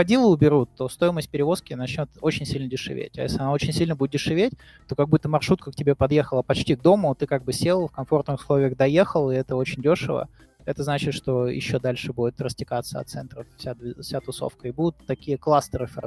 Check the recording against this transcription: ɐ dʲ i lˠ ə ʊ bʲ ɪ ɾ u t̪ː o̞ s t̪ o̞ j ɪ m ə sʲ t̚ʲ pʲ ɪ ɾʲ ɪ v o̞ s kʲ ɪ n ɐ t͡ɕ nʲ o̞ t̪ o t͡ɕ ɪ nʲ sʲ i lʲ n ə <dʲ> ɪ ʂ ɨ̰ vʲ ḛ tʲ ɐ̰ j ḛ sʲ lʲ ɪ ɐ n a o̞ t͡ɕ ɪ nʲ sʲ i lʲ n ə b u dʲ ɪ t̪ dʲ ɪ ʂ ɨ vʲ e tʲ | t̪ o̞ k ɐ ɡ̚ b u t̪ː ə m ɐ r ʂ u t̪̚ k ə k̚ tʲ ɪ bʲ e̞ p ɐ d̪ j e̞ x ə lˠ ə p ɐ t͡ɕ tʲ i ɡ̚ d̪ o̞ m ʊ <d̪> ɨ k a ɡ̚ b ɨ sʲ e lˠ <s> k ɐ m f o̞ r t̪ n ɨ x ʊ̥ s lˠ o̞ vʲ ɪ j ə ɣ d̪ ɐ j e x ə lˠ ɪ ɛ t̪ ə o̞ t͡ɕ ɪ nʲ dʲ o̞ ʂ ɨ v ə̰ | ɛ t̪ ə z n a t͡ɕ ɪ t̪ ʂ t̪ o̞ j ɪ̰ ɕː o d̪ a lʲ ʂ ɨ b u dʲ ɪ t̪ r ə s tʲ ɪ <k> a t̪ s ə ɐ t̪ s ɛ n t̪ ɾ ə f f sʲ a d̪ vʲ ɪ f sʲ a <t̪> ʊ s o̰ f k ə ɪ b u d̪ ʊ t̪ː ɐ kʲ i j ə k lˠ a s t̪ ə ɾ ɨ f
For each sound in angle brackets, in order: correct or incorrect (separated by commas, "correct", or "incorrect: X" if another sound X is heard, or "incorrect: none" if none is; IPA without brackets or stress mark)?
correct, incorrect: t̪, incorrect: f, correct, correct